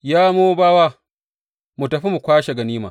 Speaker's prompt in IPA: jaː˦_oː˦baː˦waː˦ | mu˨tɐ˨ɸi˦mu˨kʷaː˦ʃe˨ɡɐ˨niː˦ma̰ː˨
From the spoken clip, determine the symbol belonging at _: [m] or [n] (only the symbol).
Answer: m